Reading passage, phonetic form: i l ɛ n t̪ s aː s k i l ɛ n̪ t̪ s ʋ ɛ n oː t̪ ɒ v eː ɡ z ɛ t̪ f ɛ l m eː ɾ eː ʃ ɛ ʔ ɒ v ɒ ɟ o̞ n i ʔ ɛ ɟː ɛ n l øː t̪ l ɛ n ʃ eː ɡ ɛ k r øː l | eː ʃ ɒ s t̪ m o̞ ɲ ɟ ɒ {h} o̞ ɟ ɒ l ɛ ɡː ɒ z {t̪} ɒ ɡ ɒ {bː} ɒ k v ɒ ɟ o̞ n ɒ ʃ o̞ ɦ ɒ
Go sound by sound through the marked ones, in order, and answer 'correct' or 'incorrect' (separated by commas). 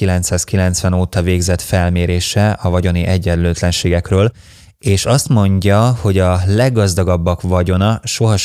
correct, incorrect, correct